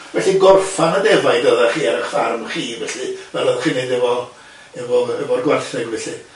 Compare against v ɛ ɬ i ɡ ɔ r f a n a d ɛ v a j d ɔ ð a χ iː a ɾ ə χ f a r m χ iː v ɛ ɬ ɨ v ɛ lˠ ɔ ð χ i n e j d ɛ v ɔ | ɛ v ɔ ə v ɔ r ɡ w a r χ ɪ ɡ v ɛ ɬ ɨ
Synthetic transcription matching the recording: v ɛ ɬ i ɡ ɔ r f a n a d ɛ v a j d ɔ ð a χ iː a ɾ ə χ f a r m χ iː v ɛ ɬ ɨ v ɛ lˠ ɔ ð χ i n e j d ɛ v ɔ | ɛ v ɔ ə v ɔ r ɡ w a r θ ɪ ɡ v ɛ ɬ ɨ